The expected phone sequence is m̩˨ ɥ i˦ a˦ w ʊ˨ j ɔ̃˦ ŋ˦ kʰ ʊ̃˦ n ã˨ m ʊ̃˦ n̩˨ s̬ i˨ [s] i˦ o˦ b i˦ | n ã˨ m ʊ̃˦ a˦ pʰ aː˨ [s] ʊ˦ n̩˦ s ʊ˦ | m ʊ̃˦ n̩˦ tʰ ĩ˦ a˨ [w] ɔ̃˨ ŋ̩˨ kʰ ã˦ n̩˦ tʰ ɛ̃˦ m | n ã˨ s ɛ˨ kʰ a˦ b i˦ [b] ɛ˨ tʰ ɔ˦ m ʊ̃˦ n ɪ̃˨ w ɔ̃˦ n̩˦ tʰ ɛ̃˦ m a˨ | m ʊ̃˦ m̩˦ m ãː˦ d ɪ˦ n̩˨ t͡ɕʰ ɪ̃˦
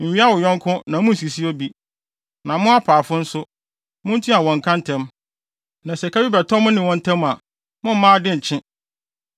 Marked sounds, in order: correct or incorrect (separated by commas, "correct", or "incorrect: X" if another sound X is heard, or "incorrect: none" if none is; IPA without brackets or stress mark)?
correct, incorrect: f, correct, correct